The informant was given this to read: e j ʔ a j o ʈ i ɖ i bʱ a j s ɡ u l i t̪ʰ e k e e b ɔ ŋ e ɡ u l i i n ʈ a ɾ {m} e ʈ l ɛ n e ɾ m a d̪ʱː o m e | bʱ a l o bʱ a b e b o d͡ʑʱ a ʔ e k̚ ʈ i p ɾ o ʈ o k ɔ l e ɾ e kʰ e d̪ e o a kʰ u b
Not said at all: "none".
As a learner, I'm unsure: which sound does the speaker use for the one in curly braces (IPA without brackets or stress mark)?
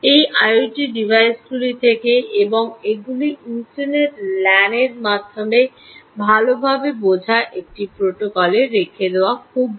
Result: n